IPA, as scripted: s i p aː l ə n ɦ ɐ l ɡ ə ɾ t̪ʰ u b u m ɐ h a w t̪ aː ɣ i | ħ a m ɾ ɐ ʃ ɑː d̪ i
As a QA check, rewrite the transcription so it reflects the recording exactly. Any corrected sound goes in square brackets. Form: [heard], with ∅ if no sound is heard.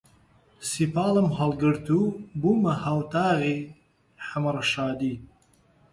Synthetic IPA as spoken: s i p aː l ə [m] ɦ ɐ l ɡ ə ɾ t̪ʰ u b u m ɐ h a w t̪ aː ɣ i | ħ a m ɾ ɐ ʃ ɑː d̪ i